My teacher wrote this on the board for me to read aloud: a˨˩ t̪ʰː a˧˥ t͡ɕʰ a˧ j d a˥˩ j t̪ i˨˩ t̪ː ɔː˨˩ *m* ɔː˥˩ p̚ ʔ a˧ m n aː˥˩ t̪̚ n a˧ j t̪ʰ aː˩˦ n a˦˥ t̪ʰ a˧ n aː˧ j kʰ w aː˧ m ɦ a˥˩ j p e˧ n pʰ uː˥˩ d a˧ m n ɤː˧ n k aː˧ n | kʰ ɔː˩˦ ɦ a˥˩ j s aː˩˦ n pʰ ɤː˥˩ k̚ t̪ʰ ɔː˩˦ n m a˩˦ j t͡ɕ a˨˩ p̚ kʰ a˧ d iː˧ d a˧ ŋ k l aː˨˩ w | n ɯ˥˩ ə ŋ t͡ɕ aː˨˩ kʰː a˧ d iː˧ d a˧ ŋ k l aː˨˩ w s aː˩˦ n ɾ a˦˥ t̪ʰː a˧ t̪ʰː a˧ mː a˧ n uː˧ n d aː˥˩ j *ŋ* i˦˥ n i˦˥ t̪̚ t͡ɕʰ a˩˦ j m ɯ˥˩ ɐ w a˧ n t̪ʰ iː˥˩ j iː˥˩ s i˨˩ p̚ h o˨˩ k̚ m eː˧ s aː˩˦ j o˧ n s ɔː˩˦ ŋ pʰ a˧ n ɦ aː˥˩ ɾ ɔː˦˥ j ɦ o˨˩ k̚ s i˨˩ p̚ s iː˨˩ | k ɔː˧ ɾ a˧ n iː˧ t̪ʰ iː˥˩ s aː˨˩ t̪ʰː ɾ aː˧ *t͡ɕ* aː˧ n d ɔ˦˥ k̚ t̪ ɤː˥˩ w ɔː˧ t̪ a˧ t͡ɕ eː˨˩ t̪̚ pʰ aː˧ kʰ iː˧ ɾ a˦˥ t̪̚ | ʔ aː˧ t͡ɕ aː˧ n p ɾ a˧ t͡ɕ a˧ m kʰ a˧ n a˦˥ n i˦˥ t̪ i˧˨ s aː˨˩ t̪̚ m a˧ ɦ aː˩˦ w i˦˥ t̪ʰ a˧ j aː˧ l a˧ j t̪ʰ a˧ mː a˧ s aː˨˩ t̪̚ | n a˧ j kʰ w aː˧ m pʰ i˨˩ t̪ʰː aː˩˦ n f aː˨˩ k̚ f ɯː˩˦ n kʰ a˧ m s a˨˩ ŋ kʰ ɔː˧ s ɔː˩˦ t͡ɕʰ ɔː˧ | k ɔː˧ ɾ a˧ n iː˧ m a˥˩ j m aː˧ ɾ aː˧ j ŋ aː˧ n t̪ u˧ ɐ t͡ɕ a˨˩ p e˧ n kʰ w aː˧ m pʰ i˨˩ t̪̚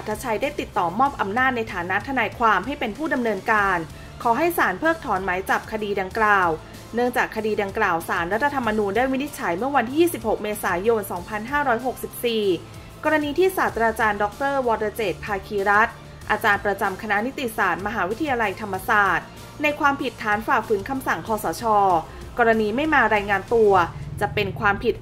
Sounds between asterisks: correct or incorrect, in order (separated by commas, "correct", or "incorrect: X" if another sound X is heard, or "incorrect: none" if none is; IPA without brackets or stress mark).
correct, incorrect: m, correct